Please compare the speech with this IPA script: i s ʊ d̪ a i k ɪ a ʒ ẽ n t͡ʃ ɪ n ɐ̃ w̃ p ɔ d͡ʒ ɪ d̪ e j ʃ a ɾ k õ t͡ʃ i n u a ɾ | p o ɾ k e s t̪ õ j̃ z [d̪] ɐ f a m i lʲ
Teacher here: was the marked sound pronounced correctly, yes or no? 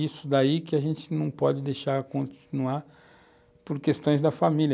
yes